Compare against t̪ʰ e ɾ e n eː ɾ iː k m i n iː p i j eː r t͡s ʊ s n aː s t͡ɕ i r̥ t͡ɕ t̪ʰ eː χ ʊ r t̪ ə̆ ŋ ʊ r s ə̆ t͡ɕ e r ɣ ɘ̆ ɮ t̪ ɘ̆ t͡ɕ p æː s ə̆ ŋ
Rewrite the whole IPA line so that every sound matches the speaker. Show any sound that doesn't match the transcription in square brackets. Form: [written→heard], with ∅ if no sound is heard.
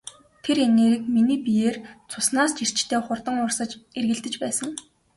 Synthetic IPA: t̪ʰ e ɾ e n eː ɾ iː k m i n iː p i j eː r [t͡s→t͡sʰ] ʊ s n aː s t͡ɕ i r̥ t͡ɕ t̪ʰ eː χ ʊ r t̪ ə̆ ŋ ʊ r s ə̆ t͡ɕ e r ɣ ɘ̆ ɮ t̪ ɘ̆ t͡ɕ p æː s ə̆ ŋ

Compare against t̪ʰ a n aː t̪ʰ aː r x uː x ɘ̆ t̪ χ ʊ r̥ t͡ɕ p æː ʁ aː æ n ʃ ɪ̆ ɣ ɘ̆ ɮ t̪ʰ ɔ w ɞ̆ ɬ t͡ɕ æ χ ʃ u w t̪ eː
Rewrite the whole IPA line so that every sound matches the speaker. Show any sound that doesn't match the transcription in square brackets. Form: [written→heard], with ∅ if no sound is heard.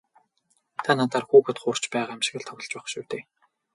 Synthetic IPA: t̪ʰ a n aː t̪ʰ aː r x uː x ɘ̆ t̪ χ ʊ r̥ t͡ɕ p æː ʁ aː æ [n→m] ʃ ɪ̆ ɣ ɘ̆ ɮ t̪ʰ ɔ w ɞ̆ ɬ t͡ɕ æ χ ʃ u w t̪ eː

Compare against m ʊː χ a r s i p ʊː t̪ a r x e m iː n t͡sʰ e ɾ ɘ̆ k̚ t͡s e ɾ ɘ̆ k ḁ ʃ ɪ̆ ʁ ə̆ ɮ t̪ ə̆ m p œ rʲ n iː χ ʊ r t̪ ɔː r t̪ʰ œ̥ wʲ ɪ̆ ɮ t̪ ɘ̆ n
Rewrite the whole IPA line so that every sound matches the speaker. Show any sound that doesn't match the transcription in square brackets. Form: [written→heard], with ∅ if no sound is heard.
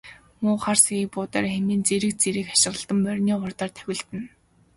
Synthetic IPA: m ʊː χ a r s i p ʊː t̪ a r x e m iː n [t͡sʰ→t͡s] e ɾ ɘ̆ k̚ t͡s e ɾ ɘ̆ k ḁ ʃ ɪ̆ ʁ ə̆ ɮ t̪ ə̆ m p œ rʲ n iː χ ʊ r t̪ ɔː r t̪ʰ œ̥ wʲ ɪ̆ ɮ t̪ ɘ̆ n

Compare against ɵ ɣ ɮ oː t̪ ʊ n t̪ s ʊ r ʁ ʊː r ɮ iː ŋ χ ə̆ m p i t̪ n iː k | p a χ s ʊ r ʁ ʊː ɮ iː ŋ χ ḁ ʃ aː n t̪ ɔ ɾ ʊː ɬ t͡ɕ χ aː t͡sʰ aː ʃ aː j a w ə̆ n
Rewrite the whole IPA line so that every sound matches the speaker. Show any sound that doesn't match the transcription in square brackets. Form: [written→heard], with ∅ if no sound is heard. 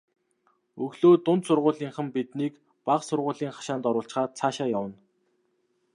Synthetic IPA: ɵ ɣ ɮ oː t̪ ʊ n t̪ s ʊ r ʁ ʊː [r→∅] ɮ iː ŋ χ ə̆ m p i t̪ n iː k | p a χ s ʊ r ʁ ʊː ɮ iː ŋ χ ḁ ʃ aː n t̪ ɔ ɾ ʊː ɬ t͡ɕ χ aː t͡sʰ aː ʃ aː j a w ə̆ n

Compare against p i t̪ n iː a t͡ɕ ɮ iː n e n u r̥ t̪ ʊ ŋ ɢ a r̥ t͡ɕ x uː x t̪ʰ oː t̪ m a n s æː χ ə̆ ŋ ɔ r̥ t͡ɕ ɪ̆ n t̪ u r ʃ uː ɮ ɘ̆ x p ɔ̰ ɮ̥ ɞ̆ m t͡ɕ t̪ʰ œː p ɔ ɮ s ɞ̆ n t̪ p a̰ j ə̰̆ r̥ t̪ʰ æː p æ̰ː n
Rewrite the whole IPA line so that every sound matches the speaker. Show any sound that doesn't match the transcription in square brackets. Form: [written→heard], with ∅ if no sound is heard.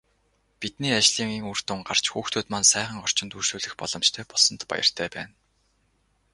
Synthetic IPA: p i t̪ n iː a t͡ɕ ɮ iː [n→ŋ] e [n→ŋ] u r̥ t̪ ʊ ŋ ɢ a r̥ t͡ɕ x uː x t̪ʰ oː t̪ m a n s æː χ ə̆ ŋ ɔ r̥ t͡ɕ ɪ̆ n t̪ u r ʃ uː ɮ ɘ̆ x p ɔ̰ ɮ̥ ɞ̆ m t͡ɕ t̪ʰ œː p ɔ ɮ s ɞ̆ n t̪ p a̰ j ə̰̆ r̥ t̪ʰ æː p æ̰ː n

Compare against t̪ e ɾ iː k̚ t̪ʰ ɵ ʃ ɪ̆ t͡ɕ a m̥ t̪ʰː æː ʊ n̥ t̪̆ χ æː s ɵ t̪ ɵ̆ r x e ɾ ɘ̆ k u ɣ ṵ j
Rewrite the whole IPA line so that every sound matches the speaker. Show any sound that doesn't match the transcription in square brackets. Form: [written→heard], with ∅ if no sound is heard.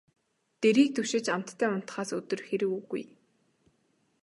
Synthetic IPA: t̪ e ɾ iː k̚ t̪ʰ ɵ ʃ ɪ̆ t͡ɕ a m̥ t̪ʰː æː ʊ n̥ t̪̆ χ [æː→aː] s ɵ t̪ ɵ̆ r x e ɾ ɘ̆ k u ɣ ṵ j

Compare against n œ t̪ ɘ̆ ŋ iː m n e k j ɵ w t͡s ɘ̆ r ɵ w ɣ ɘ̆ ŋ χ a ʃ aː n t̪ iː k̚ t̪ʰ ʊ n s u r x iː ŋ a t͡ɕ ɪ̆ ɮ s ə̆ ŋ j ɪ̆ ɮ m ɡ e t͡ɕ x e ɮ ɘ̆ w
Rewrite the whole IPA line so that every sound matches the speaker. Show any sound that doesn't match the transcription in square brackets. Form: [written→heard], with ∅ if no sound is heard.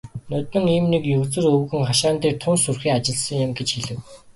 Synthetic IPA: n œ t̪ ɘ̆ ŋ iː m n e k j ɵ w t͡s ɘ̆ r ɵ w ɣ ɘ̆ ŋ χ a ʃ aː n t̪ iː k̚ t̪ʰ ʊ n s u r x iː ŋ a t͡ɕ ɪ̆ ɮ s ə̆ ŋ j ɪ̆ [ɮ→∅] m ɡ e t͡ɕ x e ɮ ɘ̆ w

